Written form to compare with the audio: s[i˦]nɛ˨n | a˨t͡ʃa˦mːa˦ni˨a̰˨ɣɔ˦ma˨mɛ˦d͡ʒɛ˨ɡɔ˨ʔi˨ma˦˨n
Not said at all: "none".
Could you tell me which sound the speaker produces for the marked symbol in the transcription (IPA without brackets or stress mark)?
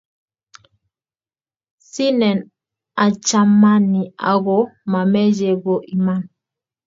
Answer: i˦